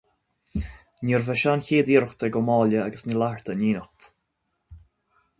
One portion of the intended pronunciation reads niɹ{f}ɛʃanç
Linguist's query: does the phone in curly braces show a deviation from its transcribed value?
yes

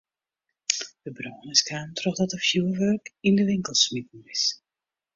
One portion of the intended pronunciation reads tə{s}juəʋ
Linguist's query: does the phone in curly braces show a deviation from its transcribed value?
yes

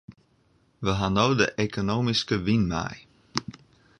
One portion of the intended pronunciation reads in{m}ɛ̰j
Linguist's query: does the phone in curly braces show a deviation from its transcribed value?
no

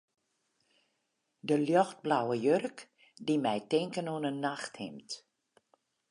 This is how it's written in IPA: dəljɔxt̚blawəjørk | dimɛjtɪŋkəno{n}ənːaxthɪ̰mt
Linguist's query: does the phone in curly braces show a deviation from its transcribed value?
no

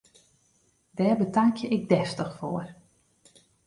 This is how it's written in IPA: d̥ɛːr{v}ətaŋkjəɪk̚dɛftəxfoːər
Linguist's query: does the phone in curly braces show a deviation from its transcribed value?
yes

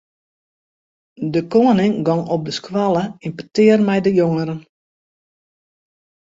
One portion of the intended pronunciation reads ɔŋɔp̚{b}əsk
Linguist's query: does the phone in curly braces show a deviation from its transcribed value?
yes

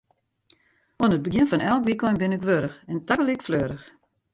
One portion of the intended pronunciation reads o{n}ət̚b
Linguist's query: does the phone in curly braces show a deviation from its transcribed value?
no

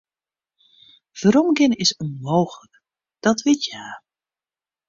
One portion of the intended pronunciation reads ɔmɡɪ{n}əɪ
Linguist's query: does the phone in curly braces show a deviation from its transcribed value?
no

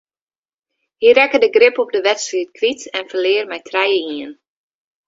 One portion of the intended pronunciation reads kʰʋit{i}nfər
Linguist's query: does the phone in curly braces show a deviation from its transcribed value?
yes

